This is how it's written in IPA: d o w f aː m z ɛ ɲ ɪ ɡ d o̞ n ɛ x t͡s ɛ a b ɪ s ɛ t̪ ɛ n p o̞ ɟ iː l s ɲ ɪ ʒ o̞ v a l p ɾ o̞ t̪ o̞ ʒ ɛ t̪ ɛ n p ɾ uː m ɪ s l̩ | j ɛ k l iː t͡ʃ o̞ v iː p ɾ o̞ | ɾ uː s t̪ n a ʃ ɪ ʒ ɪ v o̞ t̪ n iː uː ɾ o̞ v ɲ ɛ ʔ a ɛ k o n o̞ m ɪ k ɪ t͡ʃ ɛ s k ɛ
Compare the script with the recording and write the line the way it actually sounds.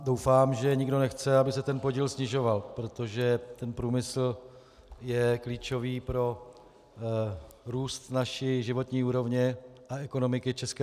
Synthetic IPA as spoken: d o w f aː m ʒ ɛ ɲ ɪ ɡ d o̞ n ɛ x t͡s ɛ a b ɪ s ɛ t̪ ɛ n p o̞ ɟ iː l s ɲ ɪ ʒ o̞ v a l p ɾ o̞ t̪ o̞ ʒ ɛ t̪ ɛ n p ɾ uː m ɪ s l̩ | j ɛ k l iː t͡ʃ o̞ v iː p ɾ o̞ | ɾ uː s t̪ n a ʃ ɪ ʒ ɪ v o̞ t̪ ɲ iː uː ɾ o̞ v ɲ ɛ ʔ a ɛ k o n o̞ m ɪ k ɪ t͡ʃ ɛ s k ɛ